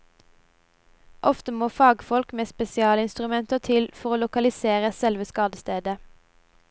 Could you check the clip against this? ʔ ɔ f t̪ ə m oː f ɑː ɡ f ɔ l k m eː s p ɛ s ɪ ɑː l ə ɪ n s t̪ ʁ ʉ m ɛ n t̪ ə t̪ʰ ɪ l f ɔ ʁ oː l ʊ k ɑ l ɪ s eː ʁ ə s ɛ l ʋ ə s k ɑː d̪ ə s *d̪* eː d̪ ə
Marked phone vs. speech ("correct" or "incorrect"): incorrect